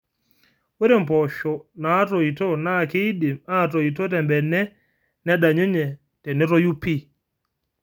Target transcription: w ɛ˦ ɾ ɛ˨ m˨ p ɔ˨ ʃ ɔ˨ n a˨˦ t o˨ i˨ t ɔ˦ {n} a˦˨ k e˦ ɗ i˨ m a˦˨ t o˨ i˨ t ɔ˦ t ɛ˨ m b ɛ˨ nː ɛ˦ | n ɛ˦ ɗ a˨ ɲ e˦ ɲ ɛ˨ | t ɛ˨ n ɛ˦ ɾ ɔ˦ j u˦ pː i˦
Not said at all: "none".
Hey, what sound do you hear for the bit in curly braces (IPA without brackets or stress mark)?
n